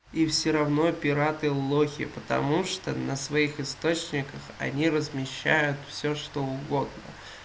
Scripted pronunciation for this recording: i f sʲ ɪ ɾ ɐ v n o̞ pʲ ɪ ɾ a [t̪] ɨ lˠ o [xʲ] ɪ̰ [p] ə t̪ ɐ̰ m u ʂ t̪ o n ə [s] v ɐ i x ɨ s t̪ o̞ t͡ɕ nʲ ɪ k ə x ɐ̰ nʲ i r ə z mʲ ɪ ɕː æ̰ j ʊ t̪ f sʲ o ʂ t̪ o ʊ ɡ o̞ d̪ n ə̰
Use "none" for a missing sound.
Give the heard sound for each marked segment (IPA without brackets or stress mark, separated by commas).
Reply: t̪, xʲ, p, s